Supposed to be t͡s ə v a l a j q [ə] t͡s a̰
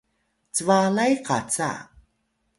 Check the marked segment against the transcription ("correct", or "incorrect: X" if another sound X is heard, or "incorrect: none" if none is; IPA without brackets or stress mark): incorrect: a